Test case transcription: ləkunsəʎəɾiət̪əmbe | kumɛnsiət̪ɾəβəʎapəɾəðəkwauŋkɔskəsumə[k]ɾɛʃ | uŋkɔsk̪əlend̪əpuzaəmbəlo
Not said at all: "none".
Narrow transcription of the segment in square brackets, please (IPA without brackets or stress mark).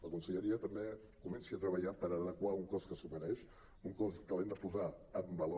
none